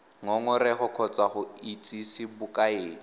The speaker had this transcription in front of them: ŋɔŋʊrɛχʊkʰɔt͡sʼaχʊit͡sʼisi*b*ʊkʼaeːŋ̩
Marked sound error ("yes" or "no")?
no